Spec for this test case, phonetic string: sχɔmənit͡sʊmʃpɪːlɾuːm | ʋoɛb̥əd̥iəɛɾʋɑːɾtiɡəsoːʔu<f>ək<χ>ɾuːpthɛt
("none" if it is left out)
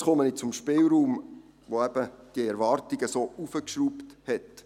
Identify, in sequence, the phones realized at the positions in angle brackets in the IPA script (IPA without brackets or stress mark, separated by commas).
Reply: f, ʃ